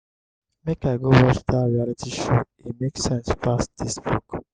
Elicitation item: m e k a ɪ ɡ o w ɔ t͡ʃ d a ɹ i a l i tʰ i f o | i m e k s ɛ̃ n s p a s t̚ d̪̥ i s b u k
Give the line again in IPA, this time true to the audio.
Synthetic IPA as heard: m e k a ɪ ɡ o w ɔ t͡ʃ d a ɹ i a l i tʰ i ʃ o | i m e k s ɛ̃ n s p a s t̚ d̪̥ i s b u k